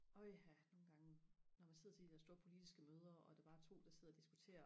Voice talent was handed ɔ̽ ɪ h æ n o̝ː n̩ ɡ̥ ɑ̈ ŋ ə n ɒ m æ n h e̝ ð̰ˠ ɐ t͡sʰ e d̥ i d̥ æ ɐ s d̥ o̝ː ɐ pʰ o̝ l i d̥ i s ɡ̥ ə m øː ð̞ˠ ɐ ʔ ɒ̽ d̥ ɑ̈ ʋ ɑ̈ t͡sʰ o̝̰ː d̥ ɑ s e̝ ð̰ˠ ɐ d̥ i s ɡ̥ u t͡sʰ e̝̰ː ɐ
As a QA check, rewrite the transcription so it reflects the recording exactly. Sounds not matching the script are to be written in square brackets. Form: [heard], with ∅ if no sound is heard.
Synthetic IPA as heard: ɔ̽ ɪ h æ n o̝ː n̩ ɡ̥ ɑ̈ ŋ ə n ɒ m æ n [s] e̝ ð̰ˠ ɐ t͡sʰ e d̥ i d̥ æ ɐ s d̥ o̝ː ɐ pʰ o̝ l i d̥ i s ɡ̥ ə m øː ð̞ˠ ɐ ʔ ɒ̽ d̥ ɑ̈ ʋ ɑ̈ t͡sʰ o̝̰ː d̥ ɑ s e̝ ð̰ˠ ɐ d̥ i s ɡ̥ u t͡sʰ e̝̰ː ɐ

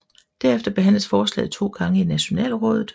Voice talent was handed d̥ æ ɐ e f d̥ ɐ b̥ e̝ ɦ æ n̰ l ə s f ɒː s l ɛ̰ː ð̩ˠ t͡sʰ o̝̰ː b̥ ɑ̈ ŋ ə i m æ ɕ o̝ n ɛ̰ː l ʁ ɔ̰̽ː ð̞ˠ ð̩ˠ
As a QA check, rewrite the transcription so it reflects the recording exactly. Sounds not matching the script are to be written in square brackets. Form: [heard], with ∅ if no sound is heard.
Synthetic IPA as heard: d̥ æ ɐ e f d̥ ɐ b̥ e̝ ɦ æ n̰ l ə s f ɒː s l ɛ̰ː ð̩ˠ t͡sʰ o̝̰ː [ɡ̥] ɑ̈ ŋ ə i [n] æ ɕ o̝ n ɛ̰ː l ʁ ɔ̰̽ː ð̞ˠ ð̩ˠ

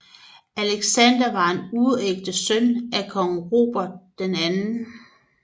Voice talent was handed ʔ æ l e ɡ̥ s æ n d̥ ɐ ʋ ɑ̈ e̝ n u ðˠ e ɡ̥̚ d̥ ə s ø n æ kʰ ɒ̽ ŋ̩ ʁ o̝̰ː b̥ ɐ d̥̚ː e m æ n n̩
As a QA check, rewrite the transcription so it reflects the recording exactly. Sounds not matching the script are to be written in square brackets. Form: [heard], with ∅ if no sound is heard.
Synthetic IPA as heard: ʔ æ l e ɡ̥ s æ n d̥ ɐ ʋ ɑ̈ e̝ n u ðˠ e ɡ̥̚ d̥ ə s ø n æ kʰ ɒ̽ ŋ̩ ʁ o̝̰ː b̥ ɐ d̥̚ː e [n] æ n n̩

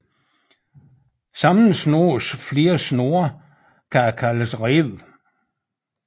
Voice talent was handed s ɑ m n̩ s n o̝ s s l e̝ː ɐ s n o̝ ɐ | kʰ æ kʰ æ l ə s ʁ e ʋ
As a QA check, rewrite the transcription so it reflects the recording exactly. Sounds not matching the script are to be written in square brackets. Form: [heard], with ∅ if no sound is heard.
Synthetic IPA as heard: s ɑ m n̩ s n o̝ s [f] l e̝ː ɐ s n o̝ ɐ | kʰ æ kʰ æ l ə s ʁ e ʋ

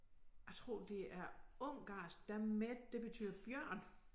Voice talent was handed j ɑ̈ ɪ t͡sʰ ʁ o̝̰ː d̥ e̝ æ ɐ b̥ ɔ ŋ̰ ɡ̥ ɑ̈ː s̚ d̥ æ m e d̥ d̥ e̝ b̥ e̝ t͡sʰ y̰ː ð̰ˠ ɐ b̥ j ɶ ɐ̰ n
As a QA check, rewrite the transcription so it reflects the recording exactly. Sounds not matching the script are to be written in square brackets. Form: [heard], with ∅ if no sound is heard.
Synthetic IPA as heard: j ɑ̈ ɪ t͡sʰ ʁ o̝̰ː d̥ e̝ æ ɐ [∅] ɔ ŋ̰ ɡ̥ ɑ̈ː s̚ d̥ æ m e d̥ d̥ e̝ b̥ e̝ t͡sʰ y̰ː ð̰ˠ ɐ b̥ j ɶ ɐ̰ n

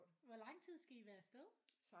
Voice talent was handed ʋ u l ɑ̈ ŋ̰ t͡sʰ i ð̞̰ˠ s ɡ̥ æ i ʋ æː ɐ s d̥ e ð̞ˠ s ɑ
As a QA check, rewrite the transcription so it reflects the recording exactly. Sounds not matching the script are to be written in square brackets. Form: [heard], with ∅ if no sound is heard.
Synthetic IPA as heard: ʋ [ɒ] l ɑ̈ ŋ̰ t͡sʰ i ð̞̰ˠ s ɡ̥ æ i ʋ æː ɐ s d̥ e ð̞ˠ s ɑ

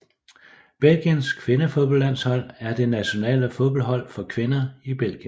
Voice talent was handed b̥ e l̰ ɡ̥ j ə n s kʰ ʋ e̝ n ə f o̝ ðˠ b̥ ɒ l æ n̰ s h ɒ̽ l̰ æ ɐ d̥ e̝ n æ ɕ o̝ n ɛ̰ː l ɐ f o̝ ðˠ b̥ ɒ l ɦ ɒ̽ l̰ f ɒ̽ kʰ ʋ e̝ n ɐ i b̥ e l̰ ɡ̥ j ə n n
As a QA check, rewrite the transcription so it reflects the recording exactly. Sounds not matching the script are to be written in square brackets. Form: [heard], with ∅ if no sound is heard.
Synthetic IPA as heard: b̥ e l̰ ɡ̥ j ə n s kʰ ʋ e̝ n ə f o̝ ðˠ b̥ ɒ l æ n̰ s h ɒ̽ l̰ æ ɐ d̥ e̝ n æ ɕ o̝ n ɛ̰ː l [ə] f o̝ ðˠ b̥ ɒ l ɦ ɒ̽ l̰ f ɒ̽ kʰ ʋ e̝ n ɐ i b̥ e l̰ ɡ̥ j ə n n

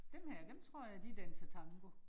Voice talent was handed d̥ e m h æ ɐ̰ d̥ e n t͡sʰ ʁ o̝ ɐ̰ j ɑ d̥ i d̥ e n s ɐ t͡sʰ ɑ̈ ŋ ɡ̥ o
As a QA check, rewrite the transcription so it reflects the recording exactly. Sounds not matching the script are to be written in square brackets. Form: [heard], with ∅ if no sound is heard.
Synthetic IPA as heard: d̥ e m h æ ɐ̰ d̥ e [m] t͡sʰ ʁ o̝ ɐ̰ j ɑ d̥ i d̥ [æ] n s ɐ t͡sʰ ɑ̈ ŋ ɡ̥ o

